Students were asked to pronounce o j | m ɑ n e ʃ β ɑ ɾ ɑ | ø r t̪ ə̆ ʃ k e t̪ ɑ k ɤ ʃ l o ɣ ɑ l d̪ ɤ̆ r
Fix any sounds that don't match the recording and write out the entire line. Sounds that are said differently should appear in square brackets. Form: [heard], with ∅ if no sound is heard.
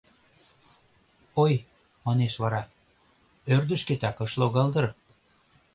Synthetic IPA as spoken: o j | m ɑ n e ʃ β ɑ ɾ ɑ | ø r [d̪] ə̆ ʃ k e t̪ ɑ k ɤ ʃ l o ɣ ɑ l d̪ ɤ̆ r